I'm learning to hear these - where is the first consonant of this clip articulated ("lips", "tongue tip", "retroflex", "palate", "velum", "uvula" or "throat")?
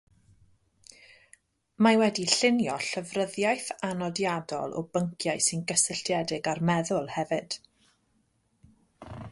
lips